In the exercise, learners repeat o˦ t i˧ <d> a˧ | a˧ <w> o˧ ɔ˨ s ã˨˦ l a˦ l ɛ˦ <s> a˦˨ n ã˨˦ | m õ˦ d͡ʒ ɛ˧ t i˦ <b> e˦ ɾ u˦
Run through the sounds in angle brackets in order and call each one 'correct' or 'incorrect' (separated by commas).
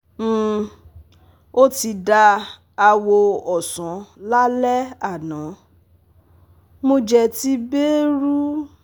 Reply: correct, correct, incorrect, correct